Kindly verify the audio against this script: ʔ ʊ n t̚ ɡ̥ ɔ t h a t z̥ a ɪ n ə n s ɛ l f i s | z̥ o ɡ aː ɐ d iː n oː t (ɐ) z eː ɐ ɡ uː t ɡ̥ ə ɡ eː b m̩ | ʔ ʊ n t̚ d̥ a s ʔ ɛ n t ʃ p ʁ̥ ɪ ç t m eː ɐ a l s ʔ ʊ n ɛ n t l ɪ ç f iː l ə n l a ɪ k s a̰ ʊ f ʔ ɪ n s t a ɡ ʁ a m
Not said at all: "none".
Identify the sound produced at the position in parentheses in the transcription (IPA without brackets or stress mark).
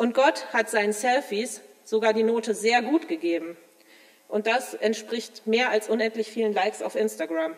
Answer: ə